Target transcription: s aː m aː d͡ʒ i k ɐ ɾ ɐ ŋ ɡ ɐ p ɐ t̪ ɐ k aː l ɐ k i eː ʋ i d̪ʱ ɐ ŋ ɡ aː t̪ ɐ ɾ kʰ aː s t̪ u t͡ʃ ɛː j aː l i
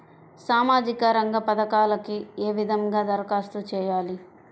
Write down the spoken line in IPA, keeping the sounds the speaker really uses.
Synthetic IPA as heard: s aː m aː d͡ʒ i k ɐ ɾ ɐ ŋ ɡ ɐ p ɐ d̪ ɐ k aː l ɐ k i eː ʋ i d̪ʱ ɐ ŋ ɡ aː d̪ ɐ ɾ k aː s t̪ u t͡ʃ ɛː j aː l i